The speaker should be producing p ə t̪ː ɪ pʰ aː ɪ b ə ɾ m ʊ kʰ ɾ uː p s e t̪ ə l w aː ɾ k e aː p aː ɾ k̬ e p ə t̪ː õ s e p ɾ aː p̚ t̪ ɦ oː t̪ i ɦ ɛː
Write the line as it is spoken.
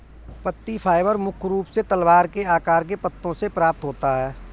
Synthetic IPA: p ə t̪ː i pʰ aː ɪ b ə ɾ m ʊ kʰ ɾ uː p s e t̪ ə l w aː ɾ k e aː k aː ɾ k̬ e p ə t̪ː õ s e p ɾ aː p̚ t̪ ɦ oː t̪ a ɦ ɛː